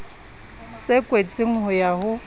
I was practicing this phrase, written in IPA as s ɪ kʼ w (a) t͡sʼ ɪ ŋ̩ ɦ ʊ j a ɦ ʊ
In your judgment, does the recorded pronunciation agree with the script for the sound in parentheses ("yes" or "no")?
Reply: no